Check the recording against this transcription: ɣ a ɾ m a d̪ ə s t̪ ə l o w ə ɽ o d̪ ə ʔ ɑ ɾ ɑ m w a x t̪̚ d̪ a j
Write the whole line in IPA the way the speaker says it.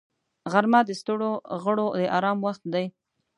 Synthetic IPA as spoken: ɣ a ɾ m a d̪ ə s t̪ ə ɽ o ɣ ə ɽ o d̪ ə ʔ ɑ ɾ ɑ m w a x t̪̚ d̪ a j